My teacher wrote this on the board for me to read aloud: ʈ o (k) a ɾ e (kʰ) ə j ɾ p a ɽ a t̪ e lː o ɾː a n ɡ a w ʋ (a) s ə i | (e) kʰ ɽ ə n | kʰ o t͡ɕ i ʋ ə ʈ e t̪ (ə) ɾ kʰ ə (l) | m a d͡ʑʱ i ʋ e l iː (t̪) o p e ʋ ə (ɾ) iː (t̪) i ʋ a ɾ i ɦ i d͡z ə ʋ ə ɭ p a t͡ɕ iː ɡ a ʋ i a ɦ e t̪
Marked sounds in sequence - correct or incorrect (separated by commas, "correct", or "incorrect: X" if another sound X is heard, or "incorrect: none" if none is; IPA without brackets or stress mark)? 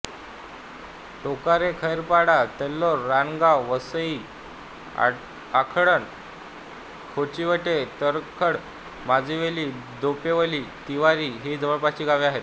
correct, correct, incorrect: ə, incorrect: a, correct, incorrect: ɽ, incorrect: d̪, incorrect: l, correct